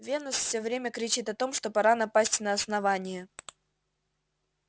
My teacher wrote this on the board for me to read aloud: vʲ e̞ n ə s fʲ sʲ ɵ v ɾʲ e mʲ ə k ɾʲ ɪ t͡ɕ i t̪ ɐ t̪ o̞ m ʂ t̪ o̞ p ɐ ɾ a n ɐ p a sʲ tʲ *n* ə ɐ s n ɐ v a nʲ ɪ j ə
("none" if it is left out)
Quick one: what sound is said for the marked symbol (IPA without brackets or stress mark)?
n